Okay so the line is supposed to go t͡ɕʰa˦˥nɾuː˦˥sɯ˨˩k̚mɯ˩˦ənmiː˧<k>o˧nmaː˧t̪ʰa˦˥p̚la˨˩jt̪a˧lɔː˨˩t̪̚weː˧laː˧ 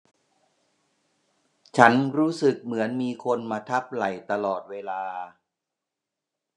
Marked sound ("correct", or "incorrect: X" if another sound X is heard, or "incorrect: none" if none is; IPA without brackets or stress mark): incorrect: kʰ